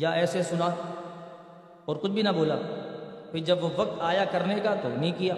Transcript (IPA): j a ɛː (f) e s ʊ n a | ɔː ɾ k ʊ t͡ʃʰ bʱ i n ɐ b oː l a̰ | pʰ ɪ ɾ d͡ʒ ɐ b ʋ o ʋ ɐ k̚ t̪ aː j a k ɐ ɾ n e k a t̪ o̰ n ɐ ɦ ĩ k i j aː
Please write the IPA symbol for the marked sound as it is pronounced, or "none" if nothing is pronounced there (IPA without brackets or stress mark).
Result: s